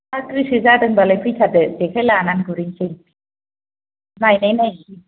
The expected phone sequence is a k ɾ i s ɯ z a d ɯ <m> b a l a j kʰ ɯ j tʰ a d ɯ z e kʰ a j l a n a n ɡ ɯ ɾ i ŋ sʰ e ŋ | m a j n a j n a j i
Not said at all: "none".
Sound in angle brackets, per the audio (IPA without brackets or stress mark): ŋ